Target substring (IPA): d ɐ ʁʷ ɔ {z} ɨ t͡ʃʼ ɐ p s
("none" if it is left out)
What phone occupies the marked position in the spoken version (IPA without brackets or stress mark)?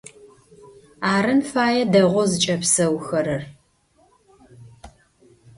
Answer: z